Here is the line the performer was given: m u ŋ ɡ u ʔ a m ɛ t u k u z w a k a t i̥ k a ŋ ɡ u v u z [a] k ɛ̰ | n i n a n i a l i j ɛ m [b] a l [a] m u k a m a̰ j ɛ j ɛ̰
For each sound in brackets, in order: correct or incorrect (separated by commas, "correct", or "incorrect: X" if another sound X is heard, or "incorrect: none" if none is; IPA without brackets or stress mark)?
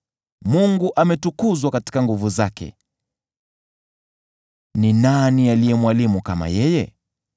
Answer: correct, incorrect: w, incorrect: i